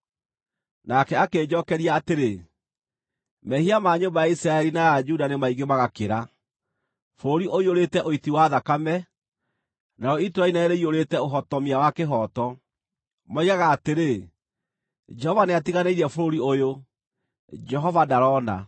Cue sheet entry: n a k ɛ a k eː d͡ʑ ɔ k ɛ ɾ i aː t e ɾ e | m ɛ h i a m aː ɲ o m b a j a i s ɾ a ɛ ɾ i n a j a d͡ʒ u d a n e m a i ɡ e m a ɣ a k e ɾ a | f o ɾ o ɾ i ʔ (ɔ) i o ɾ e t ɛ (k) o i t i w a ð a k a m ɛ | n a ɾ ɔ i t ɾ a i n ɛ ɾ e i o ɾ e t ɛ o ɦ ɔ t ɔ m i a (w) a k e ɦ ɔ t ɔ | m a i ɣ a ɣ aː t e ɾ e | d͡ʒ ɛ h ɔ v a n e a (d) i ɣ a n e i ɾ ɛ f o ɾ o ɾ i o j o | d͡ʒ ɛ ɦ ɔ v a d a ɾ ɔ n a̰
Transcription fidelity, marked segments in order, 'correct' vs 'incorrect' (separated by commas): incorrect, incorrect, correct, incorrect